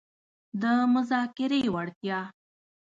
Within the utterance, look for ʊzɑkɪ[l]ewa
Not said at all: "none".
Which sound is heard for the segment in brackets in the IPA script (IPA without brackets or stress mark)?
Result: ɾ